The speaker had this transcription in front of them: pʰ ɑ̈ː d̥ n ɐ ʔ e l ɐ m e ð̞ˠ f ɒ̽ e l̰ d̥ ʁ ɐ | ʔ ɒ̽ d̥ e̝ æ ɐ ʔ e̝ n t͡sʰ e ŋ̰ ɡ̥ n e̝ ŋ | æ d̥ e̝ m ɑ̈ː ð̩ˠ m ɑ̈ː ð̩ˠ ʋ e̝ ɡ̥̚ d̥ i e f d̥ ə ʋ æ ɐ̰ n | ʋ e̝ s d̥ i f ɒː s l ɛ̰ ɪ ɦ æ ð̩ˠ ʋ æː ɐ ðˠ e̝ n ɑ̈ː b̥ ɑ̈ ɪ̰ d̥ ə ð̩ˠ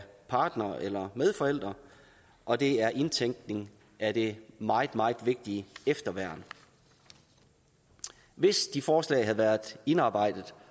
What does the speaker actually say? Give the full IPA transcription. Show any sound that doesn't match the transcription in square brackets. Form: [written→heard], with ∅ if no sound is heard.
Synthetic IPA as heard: pʰ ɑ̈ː d̥ n ɐ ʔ e l ɐ m e ð̞ˠ f ɒ̽ e l̰ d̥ ʁ ɐ | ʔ ɒ̽ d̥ e̝ æ ɐ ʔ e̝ n t͡sʰ e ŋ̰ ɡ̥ n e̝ ŋ | æ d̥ e̝ m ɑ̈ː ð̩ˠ m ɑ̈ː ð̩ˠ ʋ e̝ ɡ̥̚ d̥ i e f d̥ [ə→ɐ] ʋ æ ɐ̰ n | ʋ e̝ s d̥ i f ɒː s l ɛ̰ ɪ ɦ æ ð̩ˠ ʋ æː ɐ ðˠ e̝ n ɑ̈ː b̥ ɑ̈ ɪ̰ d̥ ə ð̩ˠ

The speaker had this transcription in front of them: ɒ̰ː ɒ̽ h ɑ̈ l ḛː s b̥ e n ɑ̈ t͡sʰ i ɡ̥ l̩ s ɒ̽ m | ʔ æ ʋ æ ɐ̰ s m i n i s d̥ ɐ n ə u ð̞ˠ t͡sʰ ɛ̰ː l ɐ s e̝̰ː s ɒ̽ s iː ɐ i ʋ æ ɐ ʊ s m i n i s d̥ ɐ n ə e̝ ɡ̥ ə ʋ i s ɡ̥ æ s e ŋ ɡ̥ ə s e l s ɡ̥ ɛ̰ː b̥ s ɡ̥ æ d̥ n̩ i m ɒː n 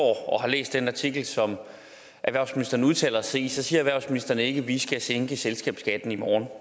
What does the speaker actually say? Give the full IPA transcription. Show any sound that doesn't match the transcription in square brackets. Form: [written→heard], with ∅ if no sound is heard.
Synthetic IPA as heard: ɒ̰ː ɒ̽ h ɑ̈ l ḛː s [b̥→d̥] e n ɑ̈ t͡sʰ i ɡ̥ l̩ s ɒ̽ m | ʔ æ ʋ æ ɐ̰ s m i n i s d̥ ɐ n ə u ð̞ˠ t͡sʰ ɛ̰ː l ɐ s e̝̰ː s ɒ̽ s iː ɐ [i→æ] ʋ æ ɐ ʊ s m i n i s d̥ ɐ n ə e̝ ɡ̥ ə ʋ i s ɡ̥ æ s e ŋ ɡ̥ ə s e l s ɡ̥ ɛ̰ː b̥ s ɡ̥ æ d̥ n̩ i m ɒː n

